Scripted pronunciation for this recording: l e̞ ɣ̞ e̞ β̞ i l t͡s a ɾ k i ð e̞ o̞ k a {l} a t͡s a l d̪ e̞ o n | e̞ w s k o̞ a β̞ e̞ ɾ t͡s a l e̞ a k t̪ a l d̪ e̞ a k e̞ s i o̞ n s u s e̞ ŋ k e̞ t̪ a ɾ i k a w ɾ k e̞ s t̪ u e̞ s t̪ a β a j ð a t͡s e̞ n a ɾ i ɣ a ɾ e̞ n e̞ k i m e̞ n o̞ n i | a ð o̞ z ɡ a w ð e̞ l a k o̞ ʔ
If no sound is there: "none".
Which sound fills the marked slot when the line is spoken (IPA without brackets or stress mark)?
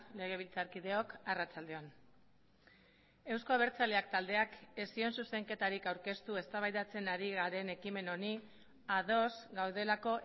r